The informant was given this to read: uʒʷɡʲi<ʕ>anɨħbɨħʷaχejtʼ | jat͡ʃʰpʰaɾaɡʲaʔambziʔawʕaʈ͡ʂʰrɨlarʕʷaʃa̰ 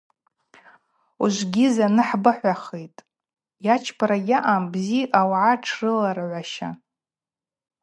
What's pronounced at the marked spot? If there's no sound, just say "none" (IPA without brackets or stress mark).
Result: z